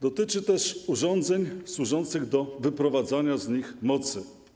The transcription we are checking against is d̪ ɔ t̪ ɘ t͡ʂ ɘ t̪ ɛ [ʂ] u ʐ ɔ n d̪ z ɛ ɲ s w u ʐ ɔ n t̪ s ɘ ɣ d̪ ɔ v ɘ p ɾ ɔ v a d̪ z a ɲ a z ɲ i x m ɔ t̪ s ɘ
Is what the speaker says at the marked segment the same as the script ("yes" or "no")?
yes